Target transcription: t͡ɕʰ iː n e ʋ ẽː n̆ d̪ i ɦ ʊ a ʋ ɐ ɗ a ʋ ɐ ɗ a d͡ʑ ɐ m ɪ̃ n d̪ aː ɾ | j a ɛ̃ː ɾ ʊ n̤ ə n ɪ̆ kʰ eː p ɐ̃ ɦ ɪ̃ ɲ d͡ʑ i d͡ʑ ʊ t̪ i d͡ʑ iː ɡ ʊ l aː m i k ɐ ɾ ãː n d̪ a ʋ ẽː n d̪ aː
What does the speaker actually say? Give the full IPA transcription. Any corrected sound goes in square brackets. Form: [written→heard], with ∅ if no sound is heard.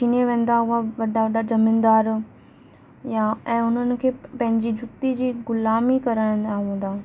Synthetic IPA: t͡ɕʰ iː n e ʋ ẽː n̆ d̪ [i→a] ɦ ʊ a ʋ ɐ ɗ a ʋ ɐ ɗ a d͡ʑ ɐ m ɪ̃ n d̪ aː ɾ | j a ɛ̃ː [ɾ→∅] ʊ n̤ ə n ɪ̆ kʰ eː p ɐ̃ ɦ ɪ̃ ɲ d͡ʑ i d͡ʑ ʊ t̪ i d͡ʑ iː ɡ ʊ l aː m i k ɐ ɾ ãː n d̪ a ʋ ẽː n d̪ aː